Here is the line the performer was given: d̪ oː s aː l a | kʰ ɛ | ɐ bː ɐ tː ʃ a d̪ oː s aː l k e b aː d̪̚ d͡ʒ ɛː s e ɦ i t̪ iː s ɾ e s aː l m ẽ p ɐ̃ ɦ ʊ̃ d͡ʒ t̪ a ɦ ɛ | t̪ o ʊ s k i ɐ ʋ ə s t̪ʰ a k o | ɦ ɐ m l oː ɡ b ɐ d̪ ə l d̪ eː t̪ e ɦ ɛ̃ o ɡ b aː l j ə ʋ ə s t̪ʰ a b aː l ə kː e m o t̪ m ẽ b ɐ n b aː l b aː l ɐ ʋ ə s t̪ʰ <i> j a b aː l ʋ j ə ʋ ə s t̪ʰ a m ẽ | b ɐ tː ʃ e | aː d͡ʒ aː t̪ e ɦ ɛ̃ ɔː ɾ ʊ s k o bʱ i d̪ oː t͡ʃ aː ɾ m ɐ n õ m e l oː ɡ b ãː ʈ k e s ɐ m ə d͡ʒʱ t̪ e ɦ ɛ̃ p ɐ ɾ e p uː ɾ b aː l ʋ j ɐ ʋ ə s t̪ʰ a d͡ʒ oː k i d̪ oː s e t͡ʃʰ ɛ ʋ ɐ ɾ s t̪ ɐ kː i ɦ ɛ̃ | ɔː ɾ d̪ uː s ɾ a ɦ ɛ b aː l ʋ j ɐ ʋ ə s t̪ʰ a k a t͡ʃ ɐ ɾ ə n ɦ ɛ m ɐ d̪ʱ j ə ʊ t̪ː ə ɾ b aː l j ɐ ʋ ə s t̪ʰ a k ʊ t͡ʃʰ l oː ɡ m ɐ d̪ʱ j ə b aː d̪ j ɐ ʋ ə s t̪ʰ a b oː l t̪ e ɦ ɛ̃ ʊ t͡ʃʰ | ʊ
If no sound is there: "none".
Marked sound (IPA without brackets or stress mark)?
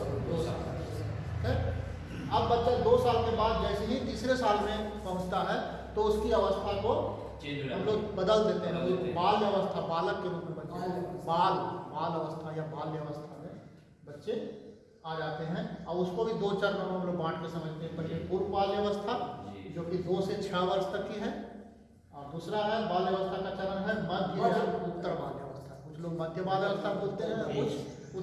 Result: a